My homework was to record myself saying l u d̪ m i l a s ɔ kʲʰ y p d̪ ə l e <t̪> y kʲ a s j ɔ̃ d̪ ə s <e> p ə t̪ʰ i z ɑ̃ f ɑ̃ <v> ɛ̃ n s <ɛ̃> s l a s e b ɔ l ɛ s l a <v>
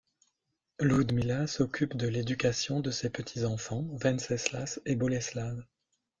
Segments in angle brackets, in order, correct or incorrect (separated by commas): incorrect, correct, correct, incorrect, correct